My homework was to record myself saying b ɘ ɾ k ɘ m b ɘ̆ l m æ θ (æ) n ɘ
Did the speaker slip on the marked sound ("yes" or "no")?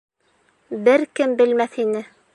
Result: yes